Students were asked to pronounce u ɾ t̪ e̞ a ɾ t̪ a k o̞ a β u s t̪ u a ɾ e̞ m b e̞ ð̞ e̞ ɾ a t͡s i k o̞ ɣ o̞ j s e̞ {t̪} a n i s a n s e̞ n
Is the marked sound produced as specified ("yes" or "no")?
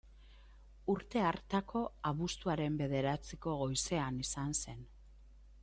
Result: no